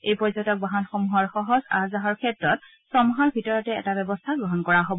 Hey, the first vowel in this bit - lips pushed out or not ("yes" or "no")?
no